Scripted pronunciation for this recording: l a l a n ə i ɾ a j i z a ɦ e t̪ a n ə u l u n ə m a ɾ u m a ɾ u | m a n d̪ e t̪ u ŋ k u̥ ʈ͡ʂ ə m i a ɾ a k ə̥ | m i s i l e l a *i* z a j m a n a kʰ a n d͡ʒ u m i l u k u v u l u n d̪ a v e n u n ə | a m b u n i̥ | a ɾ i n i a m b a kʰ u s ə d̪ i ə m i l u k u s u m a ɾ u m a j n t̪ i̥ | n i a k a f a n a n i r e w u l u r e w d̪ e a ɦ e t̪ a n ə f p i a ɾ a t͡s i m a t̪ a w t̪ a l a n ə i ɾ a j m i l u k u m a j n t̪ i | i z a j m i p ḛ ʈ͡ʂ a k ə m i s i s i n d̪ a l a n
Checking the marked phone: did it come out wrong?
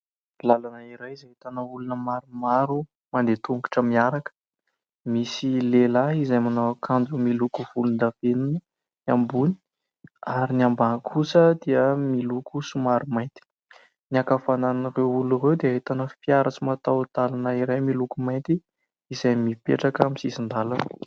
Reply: no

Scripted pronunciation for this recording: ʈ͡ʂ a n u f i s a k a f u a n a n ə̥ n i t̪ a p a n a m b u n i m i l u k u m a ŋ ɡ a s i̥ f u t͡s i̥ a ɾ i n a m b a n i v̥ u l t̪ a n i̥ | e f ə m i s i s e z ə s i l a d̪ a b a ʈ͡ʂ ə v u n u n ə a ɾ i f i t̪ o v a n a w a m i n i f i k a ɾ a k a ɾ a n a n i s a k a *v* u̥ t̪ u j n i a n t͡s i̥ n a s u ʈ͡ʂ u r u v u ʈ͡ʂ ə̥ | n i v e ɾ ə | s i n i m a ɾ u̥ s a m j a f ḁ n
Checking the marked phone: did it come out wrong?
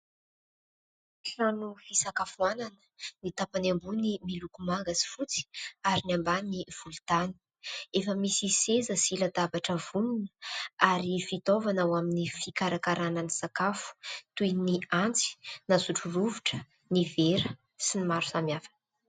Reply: yes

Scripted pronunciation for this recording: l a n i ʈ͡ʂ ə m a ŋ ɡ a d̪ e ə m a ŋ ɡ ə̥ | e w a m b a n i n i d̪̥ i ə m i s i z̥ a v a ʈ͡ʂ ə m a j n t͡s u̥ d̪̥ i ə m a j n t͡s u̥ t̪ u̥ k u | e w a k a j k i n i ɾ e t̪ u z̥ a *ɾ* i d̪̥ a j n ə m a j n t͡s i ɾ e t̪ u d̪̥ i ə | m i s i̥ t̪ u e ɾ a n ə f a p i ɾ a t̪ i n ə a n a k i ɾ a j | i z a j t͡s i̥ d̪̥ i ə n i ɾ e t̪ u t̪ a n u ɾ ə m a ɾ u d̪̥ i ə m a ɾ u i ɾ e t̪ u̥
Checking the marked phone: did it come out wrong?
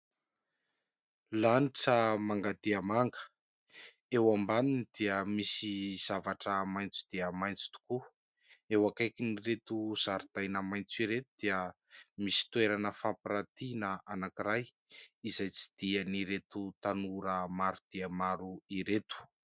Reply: no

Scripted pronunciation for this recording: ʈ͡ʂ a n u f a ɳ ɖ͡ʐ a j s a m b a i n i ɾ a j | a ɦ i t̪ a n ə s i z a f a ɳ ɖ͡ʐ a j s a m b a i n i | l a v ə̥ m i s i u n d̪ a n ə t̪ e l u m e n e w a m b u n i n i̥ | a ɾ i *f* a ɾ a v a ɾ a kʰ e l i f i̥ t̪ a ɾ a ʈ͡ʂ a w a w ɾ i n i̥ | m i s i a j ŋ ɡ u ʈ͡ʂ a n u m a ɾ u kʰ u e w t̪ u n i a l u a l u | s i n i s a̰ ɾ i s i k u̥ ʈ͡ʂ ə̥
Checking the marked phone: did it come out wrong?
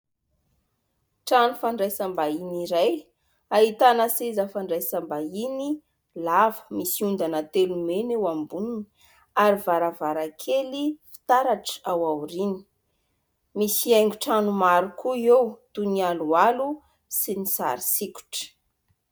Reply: yes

